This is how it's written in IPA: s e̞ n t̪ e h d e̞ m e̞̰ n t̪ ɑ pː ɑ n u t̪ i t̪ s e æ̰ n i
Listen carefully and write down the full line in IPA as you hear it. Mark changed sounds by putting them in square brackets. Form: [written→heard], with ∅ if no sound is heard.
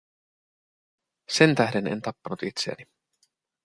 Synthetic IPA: s e̞ n t̪ [e→æ] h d e̞ [m→n] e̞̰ n t̪ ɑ pː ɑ n u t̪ i t̪ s e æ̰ n i